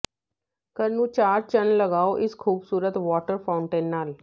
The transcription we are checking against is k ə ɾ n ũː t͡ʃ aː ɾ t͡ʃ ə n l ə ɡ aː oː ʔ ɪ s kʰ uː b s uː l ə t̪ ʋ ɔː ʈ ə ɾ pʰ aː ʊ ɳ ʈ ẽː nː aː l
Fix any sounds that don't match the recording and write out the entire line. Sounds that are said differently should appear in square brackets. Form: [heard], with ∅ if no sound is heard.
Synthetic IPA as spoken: k ə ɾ n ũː t͡ʃ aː ɾ t͡ʃ ə n l ə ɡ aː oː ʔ ɪ s kʰ uː b s uː [ɾ] ə t̪ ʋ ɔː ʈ ə ɾ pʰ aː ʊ ɳ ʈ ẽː nː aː l

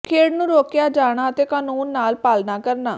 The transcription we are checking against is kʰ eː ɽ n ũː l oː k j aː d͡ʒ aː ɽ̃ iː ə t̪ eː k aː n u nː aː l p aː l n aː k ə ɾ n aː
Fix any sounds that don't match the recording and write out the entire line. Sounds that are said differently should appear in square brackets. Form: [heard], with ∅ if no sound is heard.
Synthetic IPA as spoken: kʰ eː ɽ n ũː [ɾ] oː k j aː d͡ʒ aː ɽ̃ [aː] ə t̪ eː k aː n [uː] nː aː l p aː l n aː k ə ɾ n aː

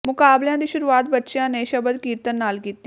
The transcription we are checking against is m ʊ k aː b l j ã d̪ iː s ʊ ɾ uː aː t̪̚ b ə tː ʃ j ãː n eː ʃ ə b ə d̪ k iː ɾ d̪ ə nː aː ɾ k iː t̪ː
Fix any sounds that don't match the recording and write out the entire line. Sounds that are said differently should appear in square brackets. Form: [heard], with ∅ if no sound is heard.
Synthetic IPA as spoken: m ʊ k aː b l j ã d̪ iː [ʃ] ʊ ɾ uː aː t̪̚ b ə tː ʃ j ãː n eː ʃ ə b ə d̪ k iː ɾ [t̪] ə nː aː [l] k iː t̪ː

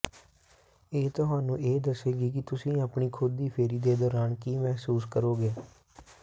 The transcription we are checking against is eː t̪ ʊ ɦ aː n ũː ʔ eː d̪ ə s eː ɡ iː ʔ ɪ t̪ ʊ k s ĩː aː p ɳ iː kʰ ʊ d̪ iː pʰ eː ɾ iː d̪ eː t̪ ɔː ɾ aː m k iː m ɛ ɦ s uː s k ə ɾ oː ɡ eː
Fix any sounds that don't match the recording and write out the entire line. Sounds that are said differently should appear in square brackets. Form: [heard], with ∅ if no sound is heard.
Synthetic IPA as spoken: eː t̪ ʊ ɦ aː n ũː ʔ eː d̪ ə s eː ɡ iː [k] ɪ t̪ ʊ [∅] s ĩː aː p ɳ iː kʰ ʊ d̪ iː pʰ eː ɾ iː d̪ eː [d̪] ɔː ɾ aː [n] k iː m ɛ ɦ s uː s k ə ɾ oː ɡ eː

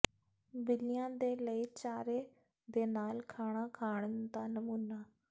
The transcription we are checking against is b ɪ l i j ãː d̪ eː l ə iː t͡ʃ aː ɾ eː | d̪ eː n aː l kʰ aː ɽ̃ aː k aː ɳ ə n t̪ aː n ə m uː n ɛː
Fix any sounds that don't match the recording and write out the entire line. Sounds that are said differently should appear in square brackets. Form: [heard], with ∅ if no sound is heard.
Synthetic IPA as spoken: b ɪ l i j ãː d̪ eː l ə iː t͡ʃ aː ɾ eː | d̪ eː n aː l kʰ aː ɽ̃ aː [kʰ] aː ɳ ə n [d̪] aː n ə m uː n [aː]

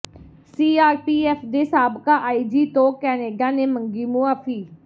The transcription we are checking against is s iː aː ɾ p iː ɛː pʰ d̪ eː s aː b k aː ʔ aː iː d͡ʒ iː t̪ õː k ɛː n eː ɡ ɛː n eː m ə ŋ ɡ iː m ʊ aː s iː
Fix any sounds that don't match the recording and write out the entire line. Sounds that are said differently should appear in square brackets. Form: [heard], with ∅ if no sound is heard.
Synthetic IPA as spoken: s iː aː ɾ p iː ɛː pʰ d̪ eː s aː b k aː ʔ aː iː d͡ʒ iː t̪ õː k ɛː n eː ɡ [aː] n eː m ə ŋ ɡ iː m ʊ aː [f] iː

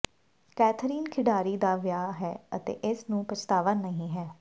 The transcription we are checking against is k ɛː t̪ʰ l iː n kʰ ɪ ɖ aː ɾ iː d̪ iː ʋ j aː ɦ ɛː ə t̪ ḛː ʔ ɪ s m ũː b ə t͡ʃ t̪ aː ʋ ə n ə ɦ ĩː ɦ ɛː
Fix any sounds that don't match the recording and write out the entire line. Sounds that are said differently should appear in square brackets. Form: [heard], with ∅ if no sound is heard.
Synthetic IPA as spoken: k ɛː t̪ʰ [ɾ] iː n kʰ ɪ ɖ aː ɾ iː d̪ [aː] ʋ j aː ɦ ɛː ə t̪ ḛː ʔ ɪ s [n] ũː [p] ə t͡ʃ t̪ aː ʋ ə n ə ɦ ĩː ɦ ɛː

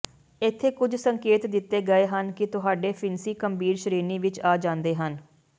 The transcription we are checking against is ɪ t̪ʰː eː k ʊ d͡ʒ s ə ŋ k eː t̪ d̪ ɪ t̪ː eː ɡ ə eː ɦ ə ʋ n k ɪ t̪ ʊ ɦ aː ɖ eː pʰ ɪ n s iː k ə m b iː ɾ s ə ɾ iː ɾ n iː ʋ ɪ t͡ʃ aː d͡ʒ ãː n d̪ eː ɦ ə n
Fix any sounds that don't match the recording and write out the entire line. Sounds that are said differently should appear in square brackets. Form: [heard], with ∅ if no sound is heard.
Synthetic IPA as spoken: ɪ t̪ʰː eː k ʊ d͡ʒ s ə ŋ k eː t̪ d̪ ɪ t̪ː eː ɡ ə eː ɦ ə [∅] n k ɪ t̪ ʊ ɦ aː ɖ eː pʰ ɪ n s iː k ə m b iː ɾ [ʃ] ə ɾ iː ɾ n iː ʋ ɪ t͡ʃ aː d͡ʒ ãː n d̪ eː ɦ ə n

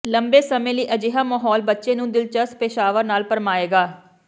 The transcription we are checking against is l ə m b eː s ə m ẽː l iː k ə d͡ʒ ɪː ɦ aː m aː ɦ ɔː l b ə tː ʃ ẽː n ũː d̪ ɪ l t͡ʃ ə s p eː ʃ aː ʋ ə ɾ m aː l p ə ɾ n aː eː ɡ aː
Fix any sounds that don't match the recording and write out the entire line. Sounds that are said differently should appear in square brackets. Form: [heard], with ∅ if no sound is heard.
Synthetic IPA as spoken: l ə m b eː s ə m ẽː l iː [ʔ] ə d͡ʒ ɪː ɦ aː m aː ɦ ɔː l b ə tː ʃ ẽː n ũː d̪ ɪ l t͡ʃ ə s p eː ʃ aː ʋ ə ɾ [n] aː l p ə ɾ [m] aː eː ɡ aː

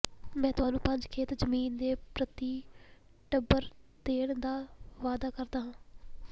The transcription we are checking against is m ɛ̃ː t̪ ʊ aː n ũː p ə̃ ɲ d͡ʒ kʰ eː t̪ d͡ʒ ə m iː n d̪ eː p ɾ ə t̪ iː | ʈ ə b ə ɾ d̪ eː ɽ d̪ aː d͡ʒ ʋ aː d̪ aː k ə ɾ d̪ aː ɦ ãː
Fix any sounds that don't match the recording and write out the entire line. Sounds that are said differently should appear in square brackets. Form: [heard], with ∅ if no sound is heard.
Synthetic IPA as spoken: m ɛ̃ː t̪ ʊ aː n ũː p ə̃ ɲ d͡ʒ kʰ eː t̪ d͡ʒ ə m iː n d̪ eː p ɾ ə t̪ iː | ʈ ə b ə ɾ d̪ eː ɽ d̪ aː [∅] ʋ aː d̪ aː k ə ɾ d̪ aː ɦ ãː

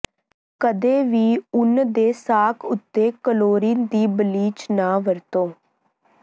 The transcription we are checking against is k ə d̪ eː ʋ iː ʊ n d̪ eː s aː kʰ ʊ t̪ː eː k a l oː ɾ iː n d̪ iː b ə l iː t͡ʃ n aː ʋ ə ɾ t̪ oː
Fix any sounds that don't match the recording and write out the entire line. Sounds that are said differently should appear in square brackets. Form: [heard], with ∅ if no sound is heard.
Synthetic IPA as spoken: k ə d̪ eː ʋ iː ʊ n d̪ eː s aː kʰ ʊ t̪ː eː k [ə] l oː ɾ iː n d̪ iː b ə l iː t͡ʃ n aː ʋ ə ɾ t̪ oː

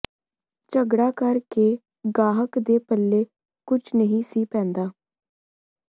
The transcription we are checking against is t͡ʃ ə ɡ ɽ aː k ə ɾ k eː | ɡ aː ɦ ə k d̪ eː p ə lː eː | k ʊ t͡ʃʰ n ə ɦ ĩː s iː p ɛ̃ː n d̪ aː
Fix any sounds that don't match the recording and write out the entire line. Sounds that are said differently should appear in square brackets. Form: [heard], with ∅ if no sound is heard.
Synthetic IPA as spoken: t͡ʃ ə ɡ ɽ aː k ə ɾ k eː | ɡ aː ɦ ə k d̪ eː p ə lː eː | k ʊ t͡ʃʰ n ə ɦ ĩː s iː p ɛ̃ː n d̪ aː

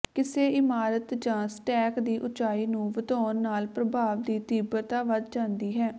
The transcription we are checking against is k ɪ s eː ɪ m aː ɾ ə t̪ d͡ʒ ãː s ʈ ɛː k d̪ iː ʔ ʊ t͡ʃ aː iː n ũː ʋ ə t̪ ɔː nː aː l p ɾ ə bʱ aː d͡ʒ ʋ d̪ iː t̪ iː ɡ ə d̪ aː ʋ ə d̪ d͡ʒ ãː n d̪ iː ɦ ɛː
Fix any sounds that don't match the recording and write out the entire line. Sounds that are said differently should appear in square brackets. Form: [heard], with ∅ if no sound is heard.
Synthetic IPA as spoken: k ɪ s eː ɪ m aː ɾ ə t̪ d͡ʒ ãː s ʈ ɛː k d̪ iː ʔ ʊ t͡ʃ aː iː n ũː ʋ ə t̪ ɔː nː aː l p ɾ ə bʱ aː [∅] ʋ d̪ iː t̪ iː [b] ə [t̪] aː ʋ ə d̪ d͡ʒ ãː n d̪ iː ɦ ɛː

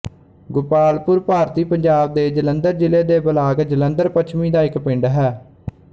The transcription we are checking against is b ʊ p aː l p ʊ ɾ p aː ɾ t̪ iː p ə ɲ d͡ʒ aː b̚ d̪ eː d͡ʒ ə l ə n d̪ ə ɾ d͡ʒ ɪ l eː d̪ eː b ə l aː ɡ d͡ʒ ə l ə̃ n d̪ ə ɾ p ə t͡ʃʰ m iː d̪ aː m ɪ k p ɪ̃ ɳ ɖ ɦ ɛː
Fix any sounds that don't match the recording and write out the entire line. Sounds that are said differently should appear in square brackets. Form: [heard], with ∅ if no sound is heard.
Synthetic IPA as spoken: [ɡ] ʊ p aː l p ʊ ɾ p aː ɾ t̪ iː p ə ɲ d͡ʒ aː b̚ d̪ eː d͡ʒ ə l ə n d̪ ə ɾ d͡ʒ ɪ l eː d̪ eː b ə l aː ɡ d͡ʒ ə l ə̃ n d̪ ə ɾ p ə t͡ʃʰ m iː d̪ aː [∅] ɪ k p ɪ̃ ɳ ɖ ɦ ɛː

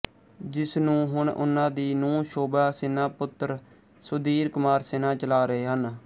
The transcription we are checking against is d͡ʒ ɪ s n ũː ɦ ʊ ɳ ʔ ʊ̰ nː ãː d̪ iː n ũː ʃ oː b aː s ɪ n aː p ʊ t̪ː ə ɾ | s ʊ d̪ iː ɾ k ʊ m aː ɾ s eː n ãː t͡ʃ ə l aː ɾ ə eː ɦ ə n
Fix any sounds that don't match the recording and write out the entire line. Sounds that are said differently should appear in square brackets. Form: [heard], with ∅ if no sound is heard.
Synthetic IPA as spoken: d͡ʒ ɪ s n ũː ɦ ʊ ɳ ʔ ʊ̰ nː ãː d̪ iː n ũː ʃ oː b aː s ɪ n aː p ʊ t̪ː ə ɾ | s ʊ d̪ iː ɾ k ʊ m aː ɾ s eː n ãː t͡ʃ ə l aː ɾ ə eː ɦ ə n

